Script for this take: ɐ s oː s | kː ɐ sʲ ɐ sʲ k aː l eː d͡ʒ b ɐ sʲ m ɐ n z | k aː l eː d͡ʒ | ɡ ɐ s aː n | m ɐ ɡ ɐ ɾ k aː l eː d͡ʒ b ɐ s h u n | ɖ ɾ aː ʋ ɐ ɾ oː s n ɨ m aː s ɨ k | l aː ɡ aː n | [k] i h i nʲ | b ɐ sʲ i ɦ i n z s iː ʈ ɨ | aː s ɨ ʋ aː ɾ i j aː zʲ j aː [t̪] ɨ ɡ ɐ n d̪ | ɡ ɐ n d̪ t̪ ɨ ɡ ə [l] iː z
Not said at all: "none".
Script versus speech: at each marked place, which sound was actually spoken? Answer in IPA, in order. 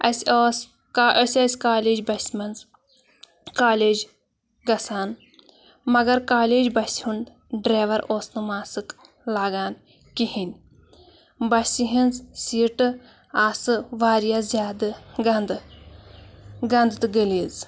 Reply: k, d̪, l

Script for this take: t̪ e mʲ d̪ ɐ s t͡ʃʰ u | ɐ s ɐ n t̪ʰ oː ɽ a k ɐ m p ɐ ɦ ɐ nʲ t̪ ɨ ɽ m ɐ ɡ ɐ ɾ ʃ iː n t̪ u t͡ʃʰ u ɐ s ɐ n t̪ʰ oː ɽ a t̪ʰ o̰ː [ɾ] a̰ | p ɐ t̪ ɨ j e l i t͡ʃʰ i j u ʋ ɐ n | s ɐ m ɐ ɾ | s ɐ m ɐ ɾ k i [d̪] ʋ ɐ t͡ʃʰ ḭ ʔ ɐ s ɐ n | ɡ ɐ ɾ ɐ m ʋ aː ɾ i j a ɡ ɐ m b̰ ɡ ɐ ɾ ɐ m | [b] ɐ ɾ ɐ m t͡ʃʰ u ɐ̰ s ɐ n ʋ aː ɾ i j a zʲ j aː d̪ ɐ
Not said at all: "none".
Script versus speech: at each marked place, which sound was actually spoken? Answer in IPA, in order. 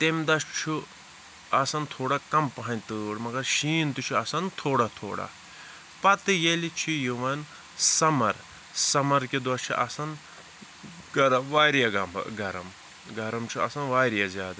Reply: ɽ, d̪, ɡ

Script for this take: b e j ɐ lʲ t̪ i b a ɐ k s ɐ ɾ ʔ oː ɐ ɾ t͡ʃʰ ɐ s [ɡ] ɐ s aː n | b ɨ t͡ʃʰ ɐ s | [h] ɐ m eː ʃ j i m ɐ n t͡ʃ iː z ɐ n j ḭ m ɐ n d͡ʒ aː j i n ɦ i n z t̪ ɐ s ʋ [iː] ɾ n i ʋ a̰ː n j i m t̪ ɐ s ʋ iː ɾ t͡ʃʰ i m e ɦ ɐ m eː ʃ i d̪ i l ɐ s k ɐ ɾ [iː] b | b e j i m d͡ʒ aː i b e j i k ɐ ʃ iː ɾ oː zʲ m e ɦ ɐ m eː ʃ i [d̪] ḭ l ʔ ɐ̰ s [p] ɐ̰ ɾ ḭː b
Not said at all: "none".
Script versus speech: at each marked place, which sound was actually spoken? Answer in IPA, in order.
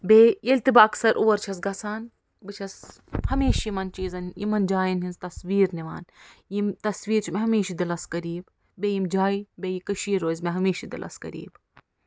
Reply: ɡ, h, iː, iː, d̪, k

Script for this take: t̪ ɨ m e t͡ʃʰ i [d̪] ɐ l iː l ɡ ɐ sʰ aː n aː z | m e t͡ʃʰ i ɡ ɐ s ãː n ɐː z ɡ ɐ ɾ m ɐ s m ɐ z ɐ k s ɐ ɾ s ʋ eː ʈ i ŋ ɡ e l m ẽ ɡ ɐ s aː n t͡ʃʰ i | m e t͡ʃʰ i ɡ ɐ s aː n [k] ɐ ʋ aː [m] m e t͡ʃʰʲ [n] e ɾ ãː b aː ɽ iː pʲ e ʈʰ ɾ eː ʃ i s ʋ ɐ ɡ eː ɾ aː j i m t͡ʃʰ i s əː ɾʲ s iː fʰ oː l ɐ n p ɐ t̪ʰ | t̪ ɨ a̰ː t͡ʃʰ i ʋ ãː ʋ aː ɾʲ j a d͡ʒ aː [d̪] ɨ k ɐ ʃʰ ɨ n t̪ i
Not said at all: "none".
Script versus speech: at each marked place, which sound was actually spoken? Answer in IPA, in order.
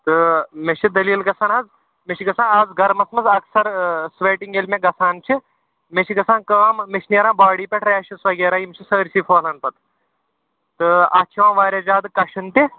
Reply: d̪, k, m, n, d̪

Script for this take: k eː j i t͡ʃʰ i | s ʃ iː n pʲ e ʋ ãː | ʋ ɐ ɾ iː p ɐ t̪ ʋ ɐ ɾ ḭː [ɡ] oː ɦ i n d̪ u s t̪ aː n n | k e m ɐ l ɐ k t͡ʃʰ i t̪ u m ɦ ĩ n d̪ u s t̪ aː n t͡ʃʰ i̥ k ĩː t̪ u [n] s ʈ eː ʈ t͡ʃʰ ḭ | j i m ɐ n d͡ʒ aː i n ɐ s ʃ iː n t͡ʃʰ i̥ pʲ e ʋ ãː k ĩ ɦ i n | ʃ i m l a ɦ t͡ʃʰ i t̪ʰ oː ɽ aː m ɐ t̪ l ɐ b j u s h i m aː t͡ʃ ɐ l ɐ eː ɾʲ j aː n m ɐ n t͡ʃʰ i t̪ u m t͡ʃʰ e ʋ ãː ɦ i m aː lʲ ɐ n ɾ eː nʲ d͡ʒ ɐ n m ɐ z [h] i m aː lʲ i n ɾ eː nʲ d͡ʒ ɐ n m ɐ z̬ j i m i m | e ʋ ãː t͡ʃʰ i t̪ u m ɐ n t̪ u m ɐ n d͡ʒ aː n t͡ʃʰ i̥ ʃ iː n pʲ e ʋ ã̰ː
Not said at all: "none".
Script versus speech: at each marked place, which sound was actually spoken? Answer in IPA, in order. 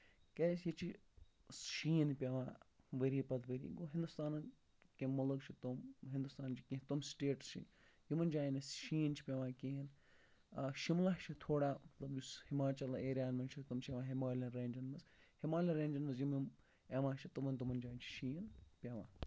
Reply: ɡ, m, h

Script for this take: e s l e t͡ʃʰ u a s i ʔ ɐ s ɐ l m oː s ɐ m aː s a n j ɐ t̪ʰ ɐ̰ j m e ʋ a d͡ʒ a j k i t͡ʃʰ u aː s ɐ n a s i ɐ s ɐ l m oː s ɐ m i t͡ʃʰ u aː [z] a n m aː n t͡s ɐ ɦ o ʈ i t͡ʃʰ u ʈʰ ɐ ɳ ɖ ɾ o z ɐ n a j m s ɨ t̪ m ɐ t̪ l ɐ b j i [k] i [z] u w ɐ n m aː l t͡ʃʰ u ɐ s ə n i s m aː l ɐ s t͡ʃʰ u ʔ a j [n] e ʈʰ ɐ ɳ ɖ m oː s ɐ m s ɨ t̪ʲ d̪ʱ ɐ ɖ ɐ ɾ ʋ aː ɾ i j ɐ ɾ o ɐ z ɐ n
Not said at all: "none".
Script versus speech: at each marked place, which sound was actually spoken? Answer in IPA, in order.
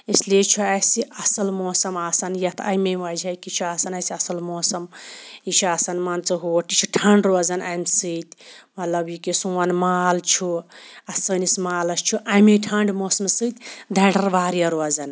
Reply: s, k, s, m

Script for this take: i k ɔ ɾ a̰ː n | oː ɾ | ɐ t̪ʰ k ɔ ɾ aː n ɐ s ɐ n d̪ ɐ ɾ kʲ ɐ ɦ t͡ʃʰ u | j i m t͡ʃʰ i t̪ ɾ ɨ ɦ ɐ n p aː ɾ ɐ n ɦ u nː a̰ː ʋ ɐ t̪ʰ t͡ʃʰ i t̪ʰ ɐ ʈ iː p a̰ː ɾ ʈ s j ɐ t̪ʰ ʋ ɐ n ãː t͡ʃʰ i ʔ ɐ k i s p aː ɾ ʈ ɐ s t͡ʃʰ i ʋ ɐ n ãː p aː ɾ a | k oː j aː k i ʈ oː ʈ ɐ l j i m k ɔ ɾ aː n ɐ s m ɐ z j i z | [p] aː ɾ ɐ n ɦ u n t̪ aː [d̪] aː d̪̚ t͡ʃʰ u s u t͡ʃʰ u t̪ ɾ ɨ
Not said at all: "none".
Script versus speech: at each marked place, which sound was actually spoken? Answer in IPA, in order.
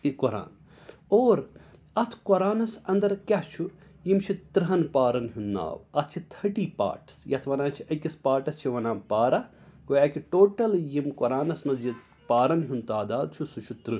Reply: p, d̪

